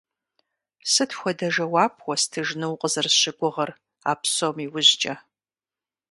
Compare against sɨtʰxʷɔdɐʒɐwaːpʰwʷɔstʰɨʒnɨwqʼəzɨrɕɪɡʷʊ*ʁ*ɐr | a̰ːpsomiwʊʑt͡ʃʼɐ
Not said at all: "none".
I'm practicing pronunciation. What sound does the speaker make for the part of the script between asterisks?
ʁ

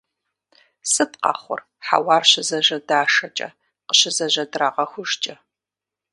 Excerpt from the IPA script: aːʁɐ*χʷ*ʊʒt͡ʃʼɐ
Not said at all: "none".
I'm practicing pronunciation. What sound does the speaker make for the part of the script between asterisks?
xʷ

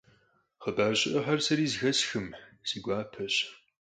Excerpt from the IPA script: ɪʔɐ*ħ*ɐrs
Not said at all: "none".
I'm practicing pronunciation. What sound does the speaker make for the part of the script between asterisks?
ħ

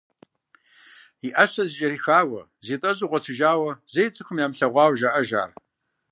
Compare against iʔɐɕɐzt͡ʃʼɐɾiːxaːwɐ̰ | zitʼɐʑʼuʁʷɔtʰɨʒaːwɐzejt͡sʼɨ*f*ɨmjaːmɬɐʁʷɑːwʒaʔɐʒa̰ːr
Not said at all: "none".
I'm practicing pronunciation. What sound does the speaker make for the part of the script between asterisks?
x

